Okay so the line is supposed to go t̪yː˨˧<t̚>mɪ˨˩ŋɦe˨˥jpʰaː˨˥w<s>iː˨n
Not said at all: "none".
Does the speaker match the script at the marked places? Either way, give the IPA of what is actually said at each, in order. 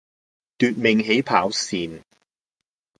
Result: t̚, s

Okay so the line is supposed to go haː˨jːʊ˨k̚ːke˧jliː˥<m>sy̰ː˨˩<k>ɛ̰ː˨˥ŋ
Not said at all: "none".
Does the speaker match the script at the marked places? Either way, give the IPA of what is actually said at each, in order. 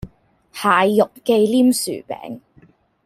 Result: m, p

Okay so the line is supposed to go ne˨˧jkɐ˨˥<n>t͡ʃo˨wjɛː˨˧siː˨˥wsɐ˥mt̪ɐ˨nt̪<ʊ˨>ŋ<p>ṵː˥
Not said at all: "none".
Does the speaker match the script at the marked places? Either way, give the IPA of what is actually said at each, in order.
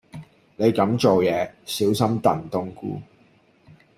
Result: m, ʊ˥, k

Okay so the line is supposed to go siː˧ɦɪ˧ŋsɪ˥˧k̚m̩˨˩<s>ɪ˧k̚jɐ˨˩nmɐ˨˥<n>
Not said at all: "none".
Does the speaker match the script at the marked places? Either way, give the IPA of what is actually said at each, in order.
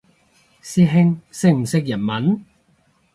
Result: s, n

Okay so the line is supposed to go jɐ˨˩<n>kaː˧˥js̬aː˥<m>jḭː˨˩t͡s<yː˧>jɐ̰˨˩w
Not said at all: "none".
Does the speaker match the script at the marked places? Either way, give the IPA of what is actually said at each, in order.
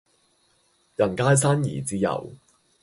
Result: n, n, iː˧

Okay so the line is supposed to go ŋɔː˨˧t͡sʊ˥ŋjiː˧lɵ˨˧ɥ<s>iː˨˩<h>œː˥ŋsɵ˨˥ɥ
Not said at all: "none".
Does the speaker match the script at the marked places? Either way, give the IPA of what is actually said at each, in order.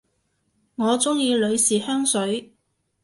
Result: s, h

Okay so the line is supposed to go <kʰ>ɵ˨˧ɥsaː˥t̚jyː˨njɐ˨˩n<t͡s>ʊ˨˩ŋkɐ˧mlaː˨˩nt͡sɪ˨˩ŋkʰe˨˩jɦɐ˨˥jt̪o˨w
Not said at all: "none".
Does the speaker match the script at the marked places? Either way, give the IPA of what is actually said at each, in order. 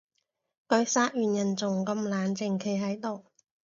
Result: k, t͡s

